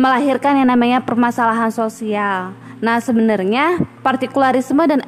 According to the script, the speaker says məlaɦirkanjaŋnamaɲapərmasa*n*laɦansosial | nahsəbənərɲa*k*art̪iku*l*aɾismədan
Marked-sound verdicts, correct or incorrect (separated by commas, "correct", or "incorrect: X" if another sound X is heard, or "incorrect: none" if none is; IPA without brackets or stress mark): incorrect: none, incorrect: p, correct